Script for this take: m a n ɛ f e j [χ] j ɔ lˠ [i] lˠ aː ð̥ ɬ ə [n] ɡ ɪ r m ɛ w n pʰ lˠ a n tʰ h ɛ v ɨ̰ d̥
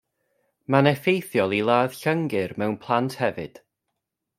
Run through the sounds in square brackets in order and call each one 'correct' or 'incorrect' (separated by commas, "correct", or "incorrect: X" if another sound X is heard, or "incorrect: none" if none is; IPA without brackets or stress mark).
incorrect: θ, correct, incorrect: ŋ